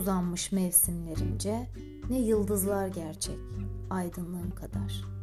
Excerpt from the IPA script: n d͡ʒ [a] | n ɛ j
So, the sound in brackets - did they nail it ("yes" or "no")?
no